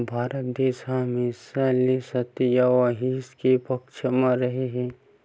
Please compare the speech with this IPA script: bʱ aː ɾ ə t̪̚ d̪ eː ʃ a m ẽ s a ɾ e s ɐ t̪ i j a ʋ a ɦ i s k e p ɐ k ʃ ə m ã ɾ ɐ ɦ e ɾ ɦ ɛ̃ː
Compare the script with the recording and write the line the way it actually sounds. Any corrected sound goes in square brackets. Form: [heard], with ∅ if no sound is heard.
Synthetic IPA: bʱ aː ɾ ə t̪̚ d̪ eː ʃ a m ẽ s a [l] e s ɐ t̪ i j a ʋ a ɦ i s k e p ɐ k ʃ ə m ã ɾ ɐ ɦ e [∅] ɦ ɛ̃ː